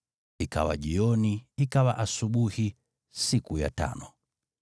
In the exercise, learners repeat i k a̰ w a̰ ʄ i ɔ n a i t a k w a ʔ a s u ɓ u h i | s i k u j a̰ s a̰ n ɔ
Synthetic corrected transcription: i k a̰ w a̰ ʄ i ɔ n i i k a w a ʔ a s u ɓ u h i | s i k u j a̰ t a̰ n ɔ